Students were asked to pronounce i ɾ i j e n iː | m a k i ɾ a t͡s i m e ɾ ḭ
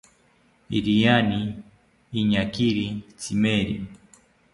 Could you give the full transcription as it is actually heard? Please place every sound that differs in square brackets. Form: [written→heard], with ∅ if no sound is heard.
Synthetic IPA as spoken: i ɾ i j [e→a] n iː | [m→ɲ] a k i ɾ [a→i] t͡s i m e ɾ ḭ